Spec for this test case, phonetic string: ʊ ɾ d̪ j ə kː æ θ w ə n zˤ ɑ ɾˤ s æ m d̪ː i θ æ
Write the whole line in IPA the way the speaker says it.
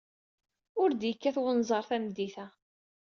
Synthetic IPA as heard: ʊ ɾ d̪ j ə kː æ θ w ə n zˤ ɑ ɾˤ θ æ m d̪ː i θ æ